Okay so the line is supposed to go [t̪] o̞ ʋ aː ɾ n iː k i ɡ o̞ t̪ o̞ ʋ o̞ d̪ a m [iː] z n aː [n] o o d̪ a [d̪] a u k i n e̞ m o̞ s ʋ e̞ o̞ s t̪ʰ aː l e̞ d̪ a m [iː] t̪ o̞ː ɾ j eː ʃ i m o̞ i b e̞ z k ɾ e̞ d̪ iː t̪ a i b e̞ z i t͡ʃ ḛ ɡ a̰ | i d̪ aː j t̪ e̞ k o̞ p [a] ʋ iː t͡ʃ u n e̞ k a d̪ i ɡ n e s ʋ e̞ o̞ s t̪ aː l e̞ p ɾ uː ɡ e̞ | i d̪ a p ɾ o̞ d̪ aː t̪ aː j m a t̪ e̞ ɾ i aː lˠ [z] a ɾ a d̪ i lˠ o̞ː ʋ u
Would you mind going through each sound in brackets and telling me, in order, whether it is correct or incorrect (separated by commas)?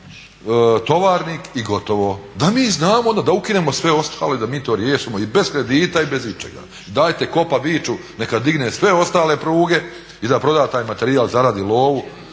correct, correct, incorrect, correct, correct, correct, correct